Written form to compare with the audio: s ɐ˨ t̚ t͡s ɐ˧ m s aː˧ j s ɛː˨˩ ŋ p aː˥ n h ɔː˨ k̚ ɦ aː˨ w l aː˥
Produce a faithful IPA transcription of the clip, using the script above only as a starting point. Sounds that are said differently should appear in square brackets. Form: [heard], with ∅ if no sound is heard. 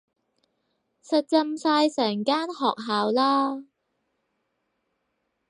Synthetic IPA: s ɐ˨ t̚ t͡s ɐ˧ m s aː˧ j s ɛː˨˩ ŋ [k] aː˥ n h ɔː˨ k̚ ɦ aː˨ w l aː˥